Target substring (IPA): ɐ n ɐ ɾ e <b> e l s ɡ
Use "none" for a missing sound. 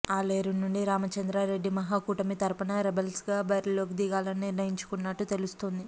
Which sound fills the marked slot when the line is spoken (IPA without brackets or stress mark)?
b